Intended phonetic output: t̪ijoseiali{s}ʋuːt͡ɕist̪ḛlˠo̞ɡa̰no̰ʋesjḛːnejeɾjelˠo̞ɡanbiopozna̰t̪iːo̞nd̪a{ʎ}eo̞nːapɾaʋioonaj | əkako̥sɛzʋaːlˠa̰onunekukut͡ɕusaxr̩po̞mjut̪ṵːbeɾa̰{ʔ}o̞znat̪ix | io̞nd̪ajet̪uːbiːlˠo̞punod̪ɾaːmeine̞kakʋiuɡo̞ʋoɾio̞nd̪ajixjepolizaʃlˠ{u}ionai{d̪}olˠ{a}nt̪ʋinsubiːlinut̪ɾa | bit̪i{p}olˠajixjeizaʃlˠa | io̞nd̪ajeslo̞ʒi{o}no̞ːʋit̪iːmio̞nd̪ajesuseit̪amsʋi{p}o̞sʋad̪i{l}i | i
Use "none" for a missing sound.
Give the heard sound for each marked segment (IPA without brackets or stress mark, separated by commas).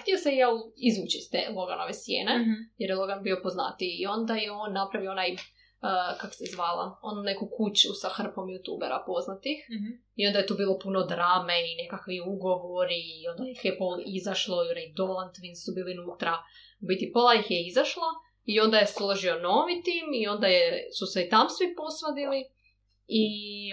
z, j, p, o, d̪, a, p, o, p, l